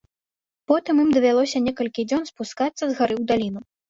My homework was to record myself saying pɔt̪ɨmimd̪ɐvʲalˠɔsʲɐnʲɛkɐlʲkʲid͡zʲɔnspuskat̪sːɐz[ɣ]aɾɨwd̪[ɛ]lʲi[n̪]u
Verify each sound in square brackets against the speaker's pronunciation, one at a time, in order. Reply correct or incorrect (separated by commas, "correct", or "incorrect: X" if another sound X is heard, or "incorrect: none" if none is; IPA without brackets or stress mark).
correct, incorrect: a, correct